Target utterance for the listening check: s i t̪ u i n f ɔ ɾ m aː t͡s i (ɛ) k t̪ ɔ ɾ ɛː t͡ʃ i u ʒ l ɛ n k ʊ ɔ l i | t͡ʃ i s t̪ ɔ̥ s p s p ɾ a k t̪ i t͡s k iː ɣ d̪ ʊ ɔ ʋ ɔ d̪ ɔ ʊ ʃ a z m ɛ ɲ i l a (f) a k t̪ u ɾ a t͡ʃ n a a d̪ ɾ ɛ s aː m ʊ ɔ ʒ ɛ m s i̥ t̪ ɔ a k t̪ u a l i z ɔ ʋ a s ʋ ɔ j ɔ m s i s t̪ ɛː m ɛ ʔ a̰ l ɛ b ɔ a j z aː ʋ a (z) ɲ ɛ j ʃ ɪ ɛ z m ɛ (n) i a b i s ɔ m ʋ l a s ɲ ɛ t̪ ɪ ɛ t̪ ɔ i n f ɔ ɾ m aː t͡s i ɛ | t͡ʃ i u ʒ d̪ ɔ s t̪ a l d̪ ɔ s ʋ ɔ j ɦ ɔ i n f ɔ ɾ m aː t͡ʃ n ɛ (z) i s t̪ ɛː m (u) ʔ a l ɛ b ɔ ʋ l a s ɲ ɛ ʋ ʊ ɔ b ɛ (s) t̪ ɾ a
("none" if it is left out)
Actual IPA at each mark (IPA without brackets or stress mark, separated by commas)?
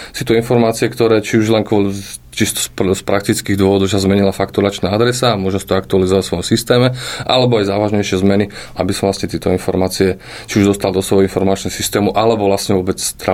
ɛ, f, ʒ, n, s, u, t͡s